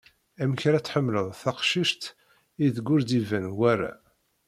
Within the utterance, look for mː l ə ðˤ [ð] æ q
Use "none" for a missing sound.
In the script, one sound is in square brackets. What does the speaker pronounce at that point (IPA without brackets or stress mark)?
θ